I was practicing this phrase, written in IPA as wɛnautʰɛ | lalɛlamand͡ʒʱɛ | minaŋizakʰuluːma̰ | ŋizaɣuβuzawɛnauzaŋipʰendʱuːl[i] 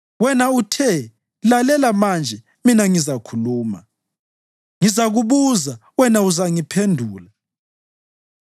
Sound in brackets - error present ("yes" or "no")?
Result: yes